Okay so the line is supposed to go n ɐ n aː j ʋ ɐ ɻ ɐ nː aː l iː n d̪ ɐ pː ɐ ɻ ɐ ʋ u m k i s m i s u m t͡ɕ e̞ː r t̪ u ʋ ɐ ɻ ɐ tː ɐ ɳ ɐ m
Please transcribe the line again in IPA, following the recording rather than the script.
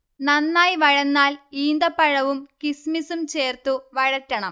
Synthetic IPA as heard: n ɐ nː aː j ʋ ɐ ɻ ɐ nː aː l iː n d̪ ɐ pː ɐ ɻ ɐ ʋ u m k i s m i s u m t͡ɕ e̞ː r t̪ u ʋ ɐ ɻ ɐ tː ɐ ɳ ɐ m

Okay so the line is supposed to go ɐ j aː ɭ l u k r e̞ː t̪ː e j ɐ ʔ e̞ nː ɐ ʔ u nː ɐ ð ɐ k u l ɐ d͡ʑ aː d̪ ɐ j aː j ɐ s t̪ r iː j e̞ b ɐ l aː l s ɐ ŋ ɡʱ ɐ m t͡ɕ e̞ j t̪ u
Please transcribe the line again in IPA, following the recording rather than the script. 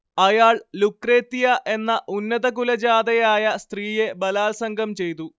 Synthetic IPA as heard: ɐ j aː ɭ l u k r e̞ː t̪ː i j ɐ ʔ e̞ nː ɐ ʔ u nː ɐ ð ɐ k u l ɐ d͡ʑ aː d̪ ɐ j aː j ɐ s t̪ r iː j e̞ b ɐ l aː l s ɐ ŋ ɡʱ ɐ m t͡ɕ e̞ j t̪ u

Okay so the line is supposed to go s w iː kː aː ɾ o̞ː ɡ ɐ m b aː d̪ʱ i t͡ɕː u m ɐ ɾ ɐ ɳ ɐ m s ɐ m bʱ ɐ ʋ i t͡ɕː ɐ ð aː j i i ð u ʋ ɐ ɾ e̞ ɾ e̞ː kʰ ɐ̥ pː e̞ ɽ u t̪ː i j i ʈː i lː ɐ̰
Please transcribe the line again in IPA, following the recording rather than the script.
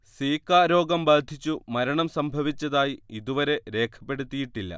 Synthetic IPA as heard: s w iː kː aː ɾ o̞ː ɡ ɐ m b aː d̪ʱ i t͡ɕː u m ɐ ɾ ɐ ɳ ɐ m s ɐ m bʱ ɐ ʋ i t͡ɕː ɐ ð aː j i i ð u ʋ ɐ ɾ e̞ ɾ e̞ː kʰ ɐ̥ pː e̞ ɽ u t̪ː i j i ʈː i lː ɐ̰

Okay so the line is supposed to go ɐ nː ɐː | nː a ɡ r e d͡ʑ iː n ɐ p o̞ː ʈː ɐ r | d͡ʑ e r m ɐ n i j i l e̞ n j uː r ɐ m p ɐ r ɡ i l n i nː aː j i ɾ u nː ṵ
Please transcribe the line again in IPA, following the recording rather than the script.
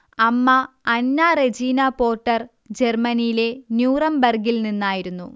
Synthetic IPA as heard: ɐ mː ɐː | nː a r e d͡ʑ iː n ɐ p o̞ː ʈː ɐ r | d͡ʑ e r m ɐ n i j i l e̞ n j uː r ɐ m b ɐ r ɡ i l n i nː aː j i ɾ u nː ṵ

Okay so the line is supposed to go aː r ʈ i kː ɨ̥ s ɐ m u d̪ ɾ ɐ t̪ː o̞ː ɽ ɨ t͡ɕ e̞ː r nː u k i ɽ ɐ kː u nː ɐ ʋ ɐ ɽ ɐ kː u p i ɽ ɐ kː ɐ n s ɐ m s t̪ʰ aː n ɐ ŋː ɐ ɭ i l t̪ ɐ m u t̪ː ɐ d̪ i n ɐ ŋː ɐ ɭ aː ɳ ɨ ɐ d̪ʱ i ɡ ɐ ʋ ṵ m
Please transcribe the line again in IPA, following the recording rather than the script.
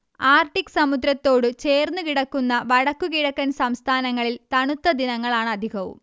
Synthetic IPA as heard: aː r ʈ i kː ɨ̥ s ɐ m u d̪ ɾ ɐ t̪ː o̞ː ɽ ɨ t͡ɕ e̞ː r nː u k i ɽ ɐ kː u nː ɐ ʋ ɐ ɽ ɐ kː u k i ɽ ɐ kː ɐ n s ɐ m s t̪ʰ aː n ɐ ŋː ɐ ɭ i l t̪ ɐ ɳ u t̪ː ɐ d̪ i n ɐ ŋː ɐ ɭ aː ɳ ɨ ɐ d̪ʱ i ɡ ɐ ʋ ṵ m

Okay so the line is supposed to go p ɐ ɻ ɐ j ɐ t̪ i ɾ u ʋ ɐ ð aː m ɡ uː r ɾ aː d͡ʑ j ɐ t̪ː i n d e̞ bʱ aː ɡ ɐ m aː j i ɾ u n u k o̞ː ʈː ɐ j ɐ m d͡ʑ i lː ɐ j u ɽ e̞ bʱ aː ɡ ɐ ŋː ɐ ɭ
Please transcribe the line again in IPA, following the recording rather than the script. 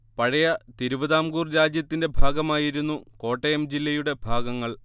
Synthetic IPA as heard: p ɐ ɻ ɐ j ɐ t̪ i ɾ u ʋ ɐ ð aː m ɡ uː r ɾ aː d͡ʑ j ɐ t̪ː i n d e̞ bʱ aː ɡ ɐ m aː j i ɾ u nː u k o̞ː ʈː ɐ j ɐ m d͡ʑ i lː ɐ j u ɽ e̞ bʱ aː ɡ ɐ ŋː ɐ ɭ

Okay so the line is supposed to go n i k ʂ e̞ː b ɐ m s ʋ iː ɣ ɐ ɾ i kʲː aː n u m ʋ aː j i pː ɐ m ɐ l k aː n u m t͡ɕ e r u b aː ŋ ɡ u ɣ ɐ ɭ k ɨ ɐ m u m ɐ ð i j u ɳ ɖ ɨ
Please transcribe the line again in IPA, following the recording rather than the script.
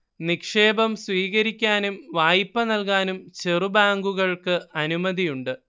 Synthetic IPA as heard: n i k ʂ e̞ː b ɐ m s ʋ iː ɣ ɐ ɾ i kʲː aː n u m ʋ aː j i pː ɐ n ɐ l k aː n u m t͡ɕ e r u b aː ŋ ɡ u ɣ ɐ ɭ k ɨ ɐ n u m ɐ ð i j u ɳ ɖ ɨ

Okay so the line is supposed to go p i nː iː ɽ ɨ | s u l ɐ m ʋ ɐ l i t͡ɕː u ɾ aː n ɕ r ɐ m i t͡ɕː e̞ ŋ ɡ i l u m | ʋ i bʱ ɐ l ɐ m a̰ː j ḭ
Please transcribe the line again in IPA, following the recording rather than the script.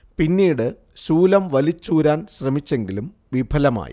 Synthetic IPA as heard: p i nː iː ɽ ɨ | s uː l ɐ m ʋ ɐ l i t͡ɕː uː ɾ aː n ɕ r ɐ m i t͡ɕː e̞ ŋ ɡ i l u m | ʋ i bʱ ɐ l ɐ m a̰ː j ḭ

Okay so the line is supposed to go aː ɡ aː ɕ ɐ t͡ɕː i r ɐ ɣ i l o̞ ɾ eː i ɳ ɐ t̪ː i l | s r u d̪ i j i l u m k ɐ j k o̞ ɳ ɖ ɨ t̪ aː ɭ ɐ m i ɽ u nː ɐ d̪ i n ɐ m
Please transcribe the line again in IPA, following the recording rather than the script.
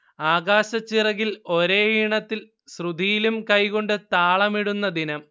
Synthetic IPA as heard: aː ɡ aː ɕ ɐ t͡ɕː i r ɐ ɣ i l o̞ ɾ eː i ɳ ɐ t̪ː i l | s r u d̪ i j i l u m k ɐ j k o̞ ɳ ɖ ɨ t̪ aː ɭ ɐ m i ɽ u nː ɐ d̪ i n ɐ m

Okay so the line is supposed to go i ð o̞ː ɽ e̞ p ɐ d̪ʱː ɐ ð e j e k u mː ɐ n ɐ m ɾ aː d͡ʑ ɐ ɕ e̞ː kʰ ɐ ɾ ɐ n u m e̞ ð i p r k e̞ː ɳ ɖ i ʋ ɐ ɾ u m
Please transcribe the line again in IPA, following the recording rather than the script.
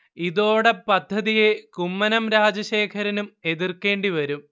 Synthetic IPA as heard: i ð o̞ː ɽ e̞ p ɐ d̪ʱː ɐ ð i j e k u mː ɐ n ɐ m ɾ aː d͡ʑ ɐ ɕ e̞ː kʰ ɐ ɾ ɐ n u m e̞ ð i r k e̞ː ɳ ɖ i ʋ ɐ ɾ u m

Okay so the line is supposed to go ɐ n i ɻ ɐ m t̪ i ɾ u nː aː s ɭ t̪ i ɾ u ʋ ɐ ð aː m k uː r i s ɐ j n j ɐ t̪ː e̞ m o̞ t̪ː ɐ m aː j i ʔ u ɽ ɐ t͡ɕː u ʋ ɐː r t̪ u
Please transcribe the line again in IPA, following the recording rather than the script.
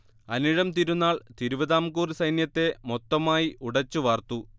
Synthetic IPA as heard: ɐ n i ɻ ɐ m t̪ i ɾ u nː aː ɭ t̪ i ɾ u ʋ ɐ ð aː m k uː r i s ɐ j n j ɐ t̪ː e̞ m o̞ t̪ː ɐ m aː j i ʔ u ɽ ɐ t͡ɕː u ʋ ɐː r t̪ u

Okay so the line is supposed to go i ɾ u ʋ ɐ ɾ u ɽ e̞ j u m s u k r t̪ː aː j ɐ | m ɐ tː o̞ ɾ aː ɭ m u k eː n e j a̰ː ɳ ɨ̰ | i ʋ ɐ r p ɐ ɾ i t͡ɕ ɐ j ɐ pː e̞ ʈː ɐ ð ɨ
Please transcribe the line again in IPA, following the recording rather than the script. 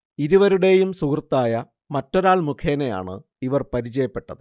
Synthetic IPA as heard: i ɾ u ʋ ɐ ɾ u ɽ e̞ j u m s u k r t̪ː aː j ɐ | m ɐ tː o̞ ɾ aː ɭ m u kʰ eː n e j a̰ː ɳ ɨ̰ | i ʋ ɐ r p ɐ ɾ i t͡ɕ ɐ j ɐ pː e̞ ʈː ɐ ð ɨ

